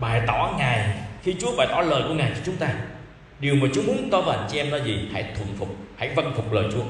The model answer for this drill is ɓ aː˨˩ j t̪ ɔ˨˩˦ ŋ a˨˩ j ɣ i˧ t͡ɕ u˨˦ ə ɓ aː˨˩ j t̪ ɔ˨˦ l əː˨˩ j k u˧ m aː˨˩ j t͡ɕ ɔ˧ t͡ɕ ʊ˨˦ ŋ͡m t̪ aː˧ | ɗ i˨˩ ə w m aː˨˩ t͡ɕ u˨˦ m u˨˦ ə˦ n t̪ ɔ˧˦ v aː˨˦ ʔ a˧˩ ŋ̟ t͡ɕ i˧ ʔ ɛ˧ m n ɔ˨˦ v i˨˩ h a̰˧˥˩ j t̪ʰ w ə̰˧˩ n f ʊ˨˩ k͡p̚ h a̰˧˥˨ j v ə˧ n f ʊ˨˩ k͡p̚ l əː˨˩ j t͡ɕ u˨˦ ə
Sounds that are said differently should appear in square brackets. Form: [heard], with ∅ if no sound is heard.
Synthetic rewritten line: ɓ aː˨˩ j t̪ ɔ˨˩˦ ŋ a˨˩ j [x] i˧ t͡ɕ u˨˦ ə ɓ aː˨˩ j t̪ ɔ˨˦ l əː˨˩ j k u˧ [ŋ] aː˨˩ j t͡ɕ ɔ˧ t͡ɕ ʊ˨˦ ŋ͡m t̪ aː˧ | ɗ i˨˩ ə w m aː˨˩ t͡ɕ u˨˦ m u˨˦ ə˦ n t̪ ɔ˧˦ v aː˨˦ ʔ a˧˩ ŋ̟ t͡ɕ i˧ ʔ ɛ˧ m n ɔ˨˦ [z] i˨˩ h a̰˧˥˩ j t̪ʰ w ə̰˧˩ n f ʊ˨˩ k͡p̚ h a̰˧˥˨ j v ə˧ n f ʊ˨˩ k͡p̚ l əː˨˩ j t͡ɕ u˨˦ ə